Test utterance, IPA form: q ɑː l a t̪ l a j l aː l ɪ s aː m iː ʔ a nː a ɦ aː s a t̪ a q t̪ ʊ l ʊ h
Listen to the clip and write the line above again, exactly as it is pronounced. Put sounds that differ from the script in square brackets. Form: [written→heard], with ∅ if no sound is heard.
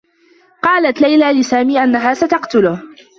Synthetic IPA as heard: q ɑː l a t̪ l a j l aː l ɪ s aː m iː ʔ a nː a ɦ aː s a t̪ [a→ɑ] q t̪ ʊ l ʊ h